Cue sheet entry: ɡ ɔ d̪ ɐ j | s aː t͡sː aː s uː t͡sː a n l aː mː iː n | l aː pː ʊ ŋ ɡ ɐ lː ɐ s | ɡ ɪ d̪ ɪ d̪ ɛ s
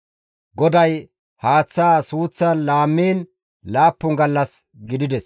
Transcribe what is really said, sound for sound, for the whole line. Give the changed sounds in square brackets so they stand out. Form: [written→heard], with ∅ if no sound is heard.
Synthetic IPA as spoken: ɡ ɔ d̪ ɐ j | [s→h] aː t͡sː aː s uː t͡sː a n l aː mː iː n | l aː pː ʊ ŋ ɡ ɐ lː ɐ s | ɡ ɪ d̪ ɪ d̪ ɛ s